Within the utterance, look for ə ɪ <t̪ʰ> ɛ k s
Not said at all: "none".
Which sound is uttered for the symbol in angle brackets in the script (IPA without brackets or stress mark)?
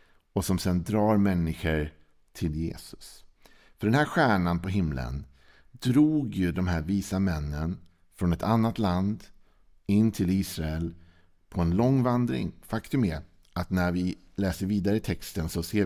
t̪ʰ